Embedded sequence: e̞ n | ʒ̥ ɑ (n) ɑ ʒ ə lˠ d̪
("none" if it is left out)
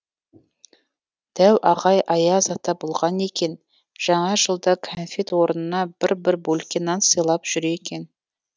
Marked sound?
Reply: ɴ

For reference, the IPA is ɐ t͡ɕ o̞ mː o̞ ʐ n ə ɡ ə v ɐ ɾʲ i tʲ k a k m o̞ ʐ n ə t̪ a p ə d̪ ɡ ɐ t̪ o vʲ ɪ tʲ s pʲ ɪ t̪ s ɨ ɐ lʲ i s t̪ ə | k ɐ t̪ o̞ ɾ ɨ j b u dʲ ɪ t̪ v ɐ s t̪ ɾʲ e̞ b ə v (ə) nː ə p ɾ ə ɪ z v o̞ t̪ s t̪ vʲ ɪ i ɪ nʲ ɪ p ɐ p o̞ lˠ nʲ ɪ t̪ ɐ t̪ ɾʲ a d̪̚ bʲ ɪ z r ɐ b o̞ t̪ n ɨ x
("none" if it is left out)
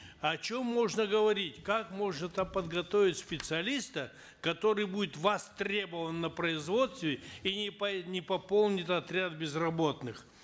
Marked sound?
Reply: ə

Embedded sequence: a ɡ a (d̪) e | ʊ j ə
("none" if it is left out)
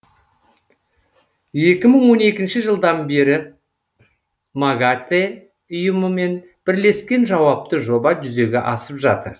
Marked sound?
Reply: t̪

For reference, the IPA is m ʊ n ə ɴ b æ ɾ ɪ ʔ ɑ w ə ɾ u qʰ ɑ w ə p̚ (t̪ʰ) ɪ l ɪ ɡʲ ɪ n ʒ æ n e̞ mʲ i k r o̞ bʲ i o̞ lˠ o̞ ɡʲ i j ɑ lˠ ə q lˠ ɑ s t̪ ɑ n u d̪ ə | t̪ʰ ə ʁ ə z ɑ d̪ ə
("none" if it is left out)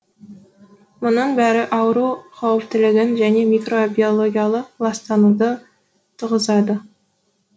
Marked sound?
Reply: t̪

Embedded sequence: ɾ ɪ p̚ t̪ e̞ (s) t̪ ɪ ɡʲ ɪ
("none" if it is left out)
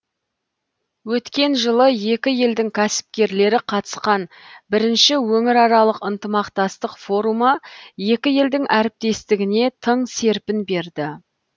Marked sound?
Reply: s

